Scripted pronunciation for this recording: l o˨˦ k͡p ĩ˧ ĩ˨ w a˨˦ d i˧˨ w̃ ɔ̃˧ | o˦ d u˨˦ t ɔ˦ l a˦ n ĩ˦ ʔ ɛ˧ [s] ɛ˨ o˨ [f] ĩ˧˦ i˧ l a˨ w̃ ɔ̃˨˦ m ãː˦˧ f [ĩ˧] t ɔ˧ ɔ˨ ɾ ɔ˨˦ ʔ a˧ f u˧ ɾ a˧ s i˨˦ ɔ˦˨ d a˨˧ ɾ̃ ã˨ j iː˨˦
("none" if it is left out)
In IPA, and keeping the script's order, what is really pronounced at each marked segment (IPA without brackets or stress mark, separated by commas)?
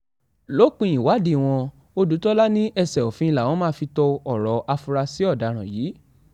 s, f, i˧